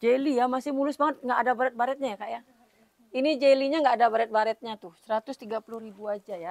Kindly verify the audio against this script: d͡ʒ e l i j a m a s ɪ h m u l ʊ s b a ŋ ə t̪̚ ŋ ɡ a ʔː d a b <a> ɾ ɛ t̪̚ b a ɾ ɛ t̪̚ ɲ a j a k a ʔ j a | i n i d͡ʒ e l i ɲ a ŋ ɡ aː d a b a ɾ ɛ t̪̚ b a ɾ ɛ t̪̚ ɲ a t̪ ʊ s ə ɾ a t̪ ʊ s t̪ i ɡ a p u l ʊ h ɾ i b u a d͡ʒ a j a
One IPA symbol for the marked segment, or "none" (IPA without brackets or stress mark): a